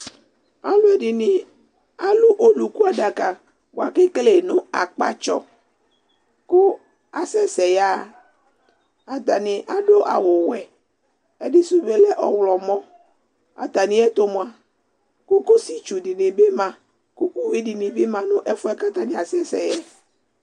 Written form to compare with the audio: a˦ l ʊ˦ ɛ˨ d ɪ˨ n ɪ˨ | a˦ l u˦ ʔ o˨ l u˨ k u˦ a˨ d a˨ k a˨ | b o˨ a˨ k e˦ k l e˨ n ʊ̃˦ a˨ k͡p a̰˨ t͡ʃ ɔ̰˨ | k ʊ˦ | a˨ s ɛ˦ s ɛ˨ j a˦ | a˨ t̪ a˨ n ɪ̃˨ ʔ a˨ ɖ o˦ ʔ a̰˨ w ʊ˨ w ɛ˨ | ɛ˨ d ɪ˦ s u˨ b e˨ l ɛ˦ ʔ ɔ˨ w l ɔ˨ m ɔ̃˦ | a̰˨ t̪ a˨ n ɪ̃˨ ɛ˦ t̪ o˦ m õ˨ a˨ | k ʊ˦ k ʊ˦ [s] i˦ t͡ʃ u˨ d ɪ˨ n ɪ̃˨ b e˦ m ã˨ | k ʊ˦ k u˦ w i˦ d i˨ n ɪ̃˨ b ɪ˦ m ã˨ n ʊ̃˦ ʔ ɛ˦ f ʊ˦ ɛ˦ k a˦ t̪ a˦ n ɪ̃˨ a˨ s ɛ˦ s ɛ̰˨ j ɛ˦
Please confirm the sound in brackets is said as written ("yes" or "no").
yes